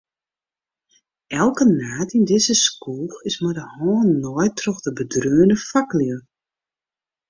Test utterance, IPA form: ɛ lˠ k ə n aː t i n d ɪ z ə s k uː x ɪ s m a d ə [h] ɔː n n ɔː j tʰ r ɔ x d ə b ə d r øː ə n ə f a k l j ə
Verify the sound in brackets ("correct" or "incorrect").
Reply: correct